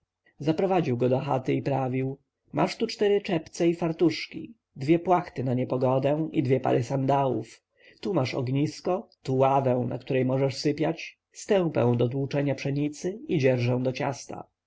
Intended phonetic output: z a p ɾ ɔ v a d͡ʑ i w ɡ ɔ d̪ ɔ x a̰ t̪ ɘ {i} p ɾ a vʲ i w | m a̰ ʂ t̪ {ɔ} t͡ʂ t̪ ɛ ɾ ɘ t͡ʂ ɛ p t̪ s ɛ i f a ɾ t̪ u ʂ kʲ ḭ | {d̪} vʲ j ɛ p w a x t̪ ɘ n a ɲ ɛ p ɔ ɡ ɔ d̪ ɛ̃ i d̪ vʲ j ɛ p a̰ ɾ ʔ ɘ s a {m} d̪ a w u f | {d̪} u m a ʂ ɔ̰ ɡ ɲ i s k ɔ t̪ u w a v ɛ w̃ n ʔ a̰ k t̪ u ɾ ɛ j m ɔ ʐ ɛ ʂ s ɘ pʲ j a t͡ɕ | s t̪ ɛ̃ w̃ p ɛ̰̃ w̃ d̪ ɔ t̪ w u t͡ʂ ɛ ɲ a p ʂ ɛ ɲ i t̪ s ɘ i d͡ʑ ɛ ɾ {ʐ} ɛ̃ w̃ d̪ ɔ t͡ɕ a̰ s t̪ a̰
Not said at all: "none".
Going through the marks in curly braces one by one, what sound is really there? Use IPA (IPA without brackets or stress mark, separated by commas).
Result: i, u, d̪, n, t̪, ʐ